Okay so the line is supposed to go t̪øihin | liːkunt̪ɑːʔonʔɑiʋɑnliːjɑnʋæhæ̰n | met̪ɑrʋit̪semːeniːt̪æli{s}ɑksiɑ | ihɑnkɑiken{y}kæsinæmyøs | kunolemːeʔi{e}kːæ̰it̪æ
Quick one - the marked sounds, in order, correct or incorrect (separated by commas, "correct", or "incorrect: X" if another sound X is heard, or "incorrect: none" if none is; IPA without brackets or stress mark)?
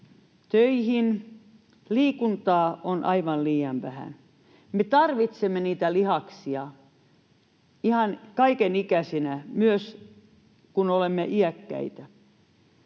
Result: incorrect: h, incorrect: i, incorrect: æ